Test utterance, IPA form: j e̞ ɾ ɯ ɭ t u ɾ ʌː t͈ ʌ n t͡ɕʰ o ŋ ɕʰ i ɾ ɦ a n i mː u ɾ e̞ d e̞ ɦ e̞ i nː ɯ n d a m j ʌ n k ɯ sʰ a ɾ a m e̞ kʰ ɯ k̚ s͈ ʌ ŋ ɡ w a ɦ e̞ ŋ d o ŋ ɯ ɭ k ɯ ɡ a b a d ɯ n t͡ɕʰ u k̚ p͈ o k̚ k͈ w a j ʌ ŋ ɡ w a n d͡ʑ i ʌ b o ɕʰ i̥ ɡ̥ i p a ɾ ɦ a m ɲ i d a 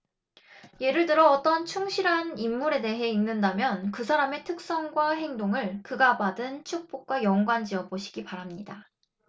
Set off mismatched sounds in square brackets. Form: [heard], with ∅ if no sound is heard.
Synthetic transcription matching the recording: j e̞ ɾ ɯ ɭ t [ɯ] ɾ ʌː t͈ ʌ n t͡ɕʰ [u] ŋ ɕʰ i ɾ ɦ a n i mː u ɾ e̞ d e̞ ɦ e̞ i nː ɯ n d a m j ʌ n k ɯ sʰ a ɾ a m e̞ [tʰ] ɯ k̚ s͈ ʌ ŋ ɡ w a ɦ e̞ ŋ d o ŋ ɯ ɭ k ɯ ɡ a b a d ɯ n t͡ɕʰ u k̚ p͈ o k̚ k͈ w a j ʌ ŋ ɡ w a n d͡ʑ i ʌ b o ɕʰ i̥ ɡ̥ i p a ɾ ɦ a m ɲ i d a